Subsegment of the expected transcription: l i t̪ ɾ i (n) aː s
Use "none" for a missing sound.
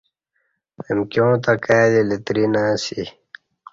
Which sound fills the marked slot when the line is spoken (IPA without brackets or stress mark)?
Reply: n